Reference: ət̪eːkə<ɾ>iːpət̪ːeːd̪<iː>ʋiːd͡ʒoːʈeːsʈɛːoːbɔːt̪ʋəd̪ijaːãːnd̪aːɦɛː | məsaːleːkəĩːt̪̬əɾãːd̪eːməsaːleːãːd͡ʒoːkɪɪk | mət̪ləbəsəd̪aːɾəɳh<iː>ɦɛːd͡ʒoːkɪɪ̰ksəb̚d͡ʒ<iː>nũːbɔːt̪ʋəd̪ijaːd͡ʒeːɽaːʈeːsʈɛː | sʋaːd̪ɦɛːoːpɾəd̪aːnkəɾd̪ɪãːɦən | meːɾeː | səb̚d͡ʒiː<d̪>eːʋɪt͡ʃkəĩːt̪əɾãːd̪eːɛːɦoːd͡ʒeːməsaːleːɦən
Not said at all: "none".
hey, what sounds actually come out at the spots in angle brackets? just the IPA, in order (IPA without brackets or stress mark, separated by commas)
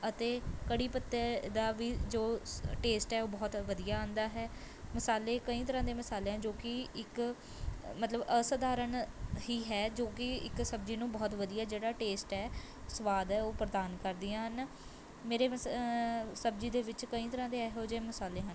ɽ, aː, iː, iː, d̪